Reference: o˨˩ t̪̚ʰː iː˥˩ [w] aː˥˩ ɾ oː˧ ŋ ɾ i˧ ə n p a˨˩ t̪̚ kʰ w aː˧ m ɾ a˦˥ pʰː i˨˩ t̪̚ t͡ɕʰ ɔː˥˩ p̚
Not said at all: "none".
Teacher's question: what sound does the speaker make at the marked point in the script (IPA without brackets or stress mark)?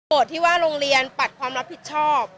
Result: w